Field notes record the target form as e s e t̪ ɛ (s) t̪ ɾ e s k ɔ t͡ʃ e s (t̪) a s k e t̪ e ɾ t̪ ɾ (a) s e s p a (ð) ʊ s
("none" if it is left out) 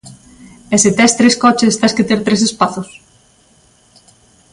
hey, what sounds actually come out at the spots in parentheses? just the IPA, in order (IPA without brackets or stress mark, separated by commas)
s, t̪, e, θ